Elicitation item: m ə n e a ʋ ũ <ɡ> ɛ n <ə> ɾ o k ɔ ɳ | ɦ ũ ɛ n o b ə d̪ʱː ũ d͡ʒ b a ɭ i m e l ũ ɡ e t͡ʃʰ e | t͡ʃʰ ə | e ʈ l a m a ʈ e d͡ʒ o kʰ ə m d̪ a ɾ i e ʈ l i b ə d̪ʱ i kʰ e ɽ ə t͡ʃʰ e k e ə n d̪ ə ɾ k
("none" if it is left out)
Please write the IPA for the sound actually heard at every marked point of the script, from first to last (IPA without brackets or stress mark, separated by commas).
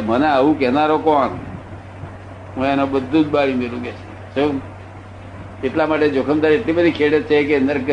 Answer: k, a